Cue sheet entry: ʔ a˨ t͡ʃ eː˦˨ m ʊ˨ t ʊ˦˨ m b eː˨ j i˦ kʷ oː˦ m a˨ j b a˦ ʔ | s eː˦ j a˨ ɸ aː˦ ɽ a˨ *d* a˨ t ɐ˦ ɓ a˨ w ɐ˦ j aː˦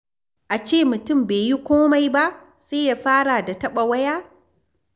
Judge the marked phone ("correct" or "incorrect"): correct